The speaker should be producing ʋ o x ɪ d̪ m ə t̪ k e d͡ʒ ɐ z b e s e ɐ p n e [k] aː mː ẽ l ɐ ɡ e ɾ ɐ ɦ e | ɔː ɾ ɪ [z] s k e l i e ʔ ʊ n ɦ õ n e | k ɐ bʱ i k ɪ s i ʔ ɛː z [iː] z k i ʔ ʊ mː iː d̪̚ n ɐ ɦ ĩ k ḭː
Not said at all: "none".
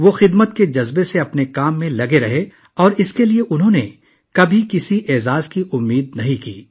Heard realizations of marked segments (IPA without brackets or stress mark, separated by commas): k, none, aː